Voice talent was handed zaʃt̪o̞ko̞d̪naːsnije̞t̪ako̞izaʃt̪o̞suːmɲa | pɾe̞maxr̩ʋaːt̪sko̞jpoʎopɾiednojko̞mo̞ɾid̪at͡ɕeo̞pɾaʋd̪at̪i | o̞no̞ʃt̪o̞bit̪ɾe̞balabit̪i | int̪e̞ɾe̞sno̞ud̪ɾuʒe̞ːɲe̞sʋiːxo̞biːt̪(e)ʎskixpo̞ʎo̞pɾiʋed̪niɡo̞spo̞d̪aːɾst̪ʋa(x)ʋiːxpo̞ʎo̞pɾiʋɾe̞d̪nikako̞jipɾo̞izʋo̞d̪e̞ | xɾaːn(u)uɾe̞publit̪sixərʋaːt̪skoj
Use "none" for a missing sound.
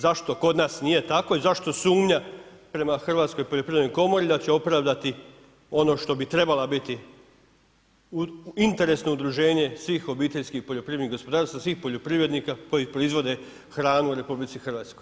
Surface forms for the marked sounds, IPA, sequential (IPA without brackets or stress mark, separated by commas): e, s, u